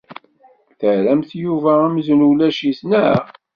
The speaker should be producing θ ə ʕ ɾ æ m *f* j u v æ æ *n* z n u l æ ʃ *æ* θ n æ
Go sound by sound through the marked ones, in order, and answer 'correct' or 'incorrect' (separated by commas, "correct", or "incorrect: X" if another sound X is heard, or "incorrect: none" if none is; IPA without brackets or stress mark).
incorrect: θ, incorrect: m, incorrect: i